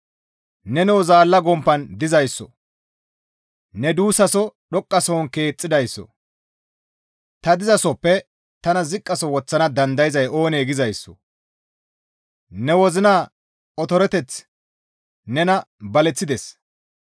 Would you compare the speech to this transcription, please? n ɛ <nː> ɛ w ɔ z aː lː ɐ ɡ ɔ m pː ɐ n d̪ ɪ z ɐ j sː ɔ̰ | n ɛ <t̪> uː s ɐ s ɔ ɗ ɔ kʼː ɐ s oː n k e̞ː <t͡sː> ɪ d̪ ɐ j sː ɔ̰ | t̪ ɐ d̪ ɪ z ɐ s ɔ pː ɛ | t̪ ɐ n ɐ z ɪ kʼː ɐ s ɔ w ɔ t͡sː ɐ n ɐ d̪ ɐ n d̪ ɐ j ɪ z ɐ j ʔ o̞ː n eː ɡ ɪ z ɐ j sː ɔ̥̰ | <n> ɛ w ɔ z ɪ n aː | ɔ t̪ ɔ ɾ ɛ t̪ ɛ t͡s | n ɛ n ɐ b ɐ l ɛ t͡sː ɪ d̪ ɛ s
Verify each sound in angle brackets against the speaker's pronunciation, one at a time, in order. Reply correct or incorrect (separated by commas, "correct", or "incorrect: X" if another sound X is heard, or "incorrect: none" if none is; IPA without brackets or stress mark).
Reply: incorrect: n, incorrect: d̪, incorrect: t͡sʼː, correct